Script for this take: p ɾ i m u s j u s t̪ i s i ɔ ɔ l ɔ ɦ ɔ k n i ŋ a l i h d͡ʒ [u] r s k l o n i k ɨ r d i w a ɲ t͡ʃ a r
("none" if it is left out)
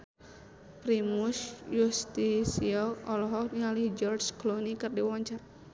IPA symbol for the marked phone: ɔ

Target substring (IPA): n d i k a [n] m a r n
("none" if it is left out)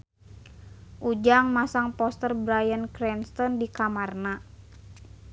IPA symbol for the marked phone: none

